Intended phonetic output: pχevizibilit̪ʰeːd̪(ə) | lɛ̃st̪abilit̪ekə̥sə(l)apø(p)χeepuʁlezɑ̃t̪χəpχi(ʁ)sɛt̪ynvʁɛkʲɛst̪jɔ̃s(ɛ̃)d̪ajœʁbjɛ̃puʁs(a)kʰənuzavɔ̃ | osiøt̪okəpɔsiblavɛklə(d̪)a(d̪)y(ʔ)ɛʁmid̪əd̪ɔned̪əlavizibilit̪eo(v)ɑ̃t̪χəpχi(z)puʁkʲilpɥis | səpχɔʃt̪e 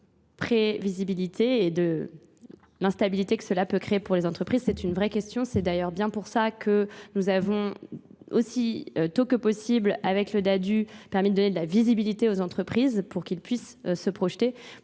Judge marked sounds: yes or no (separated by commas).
yes, yes, no, no, no, yes, yes, yes, no, no, yes